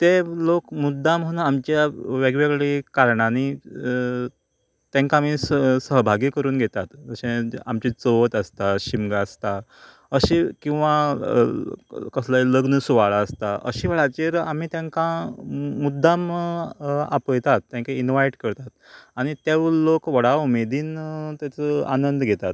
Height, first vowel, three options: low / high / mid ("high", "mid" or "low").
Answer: mid